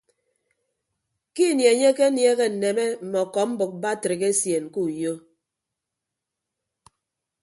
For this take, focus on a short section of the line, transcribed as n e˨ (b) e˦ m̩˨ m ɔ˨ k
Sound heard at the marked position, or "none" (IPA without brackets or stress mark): m